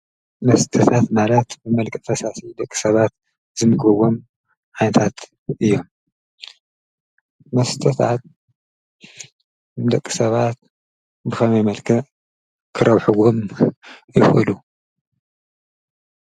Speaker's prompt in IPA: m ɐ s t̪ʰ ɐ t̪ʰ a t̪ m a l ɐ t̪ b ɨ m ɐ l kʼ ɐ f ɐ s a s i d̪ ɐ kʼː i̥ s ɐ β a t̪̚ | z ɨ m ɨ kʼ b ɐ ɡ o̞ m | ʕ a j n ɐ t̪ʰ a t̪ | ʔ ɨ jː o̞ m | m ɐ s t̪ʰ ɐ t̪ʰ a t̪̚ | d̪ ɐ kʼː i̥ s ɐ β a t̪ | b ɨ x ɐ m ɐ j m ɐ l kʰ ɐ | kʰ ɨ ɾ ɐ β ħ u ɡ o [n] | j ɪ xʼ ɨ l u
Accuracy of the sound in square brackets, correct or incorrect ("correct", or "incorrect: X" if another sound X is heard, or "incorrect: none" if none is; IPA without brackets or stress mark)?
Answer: incorrect: m